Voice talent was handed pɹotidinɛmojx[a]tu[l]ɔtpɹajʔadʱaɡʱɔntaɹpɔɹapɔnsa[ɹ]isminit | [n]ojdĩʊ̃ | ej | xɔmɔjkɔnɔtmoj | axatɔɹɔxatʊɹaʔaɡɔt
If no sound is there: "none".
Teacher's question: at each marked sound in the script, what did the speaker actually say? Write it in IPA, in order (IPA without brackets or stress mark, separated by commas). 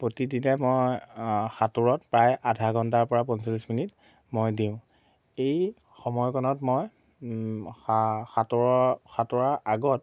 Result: a, ɹ, l, m